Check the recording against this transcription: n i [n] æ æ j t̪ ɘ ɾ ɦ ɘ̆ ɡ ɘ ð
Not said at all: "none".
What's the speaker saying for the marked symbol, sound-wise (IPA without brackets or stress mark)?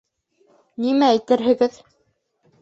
m